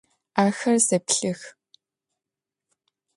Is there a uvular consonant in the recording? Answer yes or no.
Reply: no